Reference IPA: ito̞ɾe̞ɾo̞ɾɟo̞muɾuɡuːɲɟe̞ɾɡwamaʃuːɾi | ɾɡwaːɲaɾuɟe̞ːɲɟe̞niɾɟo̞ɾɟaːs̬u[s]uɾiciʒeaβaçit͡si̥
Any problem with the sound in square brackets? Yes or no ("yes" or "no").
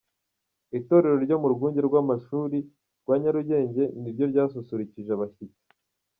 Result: no